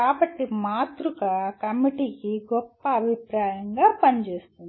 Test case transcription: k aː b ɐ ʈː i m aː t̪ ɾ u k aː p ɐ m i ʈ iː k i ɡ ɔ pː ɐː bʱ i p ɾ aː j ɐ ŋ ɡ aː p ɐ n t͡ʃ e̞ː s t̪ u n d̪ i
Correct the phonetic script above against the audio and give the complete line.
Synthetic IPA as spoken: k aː b ɐ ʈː i m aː t̪ ɾ u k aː k ɐ m i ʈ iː k i ɡ ɔ pː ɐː bʱ i p ɾ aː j ɐ ŋ ɡ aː p ɐ n t͡ʃ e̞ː s t̪ u n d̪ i